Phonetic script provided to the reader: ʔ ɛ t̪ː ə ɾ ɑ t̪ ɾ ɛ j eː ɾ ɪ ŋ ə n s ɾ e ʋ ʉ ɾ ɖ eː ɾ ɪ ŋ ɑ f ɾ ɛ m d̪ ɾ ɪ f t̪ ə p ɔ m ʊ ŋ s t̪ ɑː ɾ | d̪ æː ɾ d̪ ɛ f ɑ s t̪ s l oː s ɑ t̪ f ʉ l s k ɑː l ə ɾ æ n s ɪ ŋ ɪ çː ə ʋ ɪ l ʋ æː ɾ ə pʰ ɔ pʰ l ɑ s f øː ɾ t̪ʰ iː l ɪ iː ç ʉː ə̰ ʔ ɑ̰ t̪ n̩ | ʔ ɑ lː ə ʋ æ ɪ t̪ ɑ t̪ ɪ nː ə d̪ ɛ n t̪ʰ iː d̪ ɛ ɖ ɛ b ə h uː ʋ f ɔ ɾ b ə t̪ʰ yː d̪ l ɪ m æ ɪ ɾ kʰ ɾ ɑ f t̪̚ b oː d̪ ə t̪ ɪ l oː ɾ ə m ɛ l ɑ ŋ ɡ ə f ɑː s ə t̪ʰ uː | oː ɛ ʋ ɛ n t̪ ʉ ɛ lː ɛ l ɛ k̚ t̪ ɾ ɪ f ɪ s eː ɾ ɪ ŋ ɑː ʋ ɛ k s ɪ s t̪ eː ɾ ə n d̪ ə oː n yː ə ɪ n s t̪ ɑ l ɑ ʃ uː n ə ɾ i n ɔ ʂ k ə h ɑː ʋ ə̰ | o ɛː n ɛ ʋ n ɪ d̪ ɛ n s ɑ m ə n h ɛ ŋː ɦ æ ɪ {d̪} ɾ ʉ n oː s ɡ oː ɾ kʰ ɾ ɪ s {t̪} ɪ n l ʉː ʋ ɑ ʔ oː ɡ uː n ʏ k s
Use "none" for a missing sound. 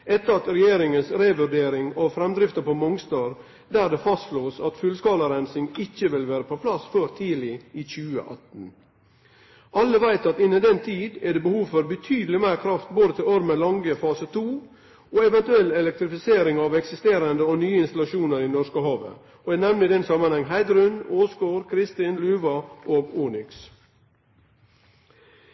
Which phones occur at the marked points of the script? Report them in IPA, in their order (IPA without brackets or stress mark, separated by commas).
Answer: d̪, t̪